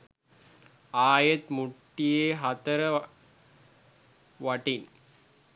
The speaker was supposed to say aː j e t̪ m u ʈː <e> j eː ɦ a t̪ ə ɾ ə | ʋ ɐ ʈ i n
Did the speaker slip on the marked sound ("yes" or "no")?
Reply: yes